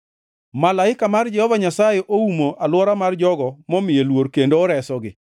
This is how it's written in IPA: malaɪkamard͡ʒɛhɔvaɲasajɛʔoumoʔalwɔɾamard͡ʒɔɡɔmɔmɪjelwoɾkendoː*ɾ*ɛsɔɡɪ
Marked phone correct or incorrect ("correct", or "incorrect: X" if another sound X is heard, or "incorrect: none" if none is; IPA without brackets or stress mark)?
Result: correct